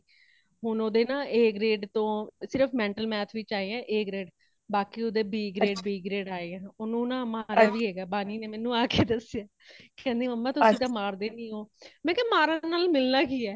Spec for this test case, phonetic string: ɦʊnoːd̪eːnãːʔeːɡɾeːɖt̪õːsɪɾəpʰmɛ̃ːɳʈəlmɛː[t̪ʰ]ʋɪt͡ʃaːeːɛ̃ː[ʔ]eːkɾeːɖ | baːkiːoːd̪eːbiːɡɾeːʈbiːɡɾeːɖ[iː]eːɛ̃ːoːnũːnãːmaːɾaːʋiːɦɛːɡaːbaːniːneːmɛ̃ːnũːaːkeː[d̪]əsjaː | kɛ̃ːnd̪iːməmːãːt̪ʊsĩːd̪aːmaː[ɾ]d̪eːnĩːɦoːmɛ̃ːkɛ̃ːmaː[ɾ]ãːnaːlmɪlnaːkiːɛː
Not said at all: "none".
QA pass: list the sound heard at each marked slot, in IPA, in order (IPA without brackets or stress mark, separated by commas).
t̪ʰ, ʔ, aː, d̪, ɾ, ɾ